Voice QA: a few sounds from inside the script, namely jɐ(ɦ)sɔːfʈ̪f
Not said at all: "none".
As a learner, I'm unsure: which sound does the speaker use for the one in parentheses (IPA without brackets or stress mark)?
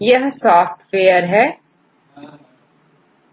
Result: ɦ